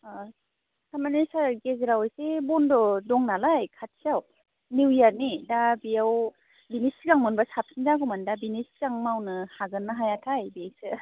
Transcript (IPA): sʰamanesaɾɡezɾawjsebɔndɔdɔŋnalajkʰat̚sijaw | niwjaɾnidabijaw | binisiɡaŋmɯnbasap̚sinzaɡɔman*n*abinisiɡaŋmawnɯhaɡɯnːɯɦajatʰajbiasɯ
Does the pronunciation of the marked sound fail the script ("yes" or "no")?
yes